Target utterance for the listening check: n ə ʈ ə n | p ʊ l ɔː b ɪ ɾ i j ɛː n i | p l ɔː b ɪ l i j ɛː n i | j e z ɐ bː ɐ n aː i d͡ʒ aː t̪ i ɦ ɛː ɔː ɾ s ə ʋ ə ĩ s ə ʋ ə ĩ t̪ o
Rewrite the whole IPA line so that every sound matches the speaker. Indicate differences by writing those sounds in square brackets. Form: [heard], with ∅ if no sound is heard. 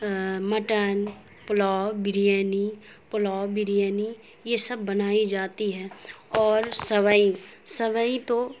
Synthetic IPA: [m] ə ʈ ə n | p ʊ l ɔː b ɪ ɾ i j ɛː n i | p l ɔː b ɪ [ɾ] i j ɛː n i | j e [s] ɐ bː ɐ n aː i d͡ʒ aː t̪ i ɦ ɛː ɔː ɾ s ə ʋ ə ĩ s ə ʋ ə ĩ t̪ o